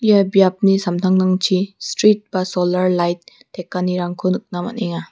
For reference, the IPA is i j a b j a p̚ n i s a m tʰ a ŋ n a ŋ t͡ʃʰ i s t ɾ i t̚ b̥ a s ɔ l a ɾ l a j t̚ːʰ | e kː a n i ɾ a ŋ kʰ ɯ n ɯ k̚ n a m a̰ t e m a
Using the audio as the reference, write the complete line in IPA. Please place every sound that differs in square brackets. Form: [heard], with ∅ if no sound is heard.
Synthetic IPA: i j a b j a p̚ n i s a m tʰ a ŋ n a ŋ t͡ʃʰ i s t ɾ i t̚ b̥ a s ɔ l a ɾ l a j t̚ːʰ | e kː a n i ɾ a ŋ kʰ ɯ n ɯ k̚ n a m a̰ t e [ŋ] a